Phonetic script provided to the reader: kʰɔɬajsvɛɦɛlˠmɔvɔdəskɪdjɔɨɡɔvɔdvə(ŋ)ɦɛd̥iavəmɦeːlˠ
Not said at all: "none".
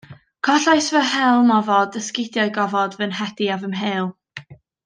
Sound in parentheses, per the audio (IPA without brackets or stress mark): n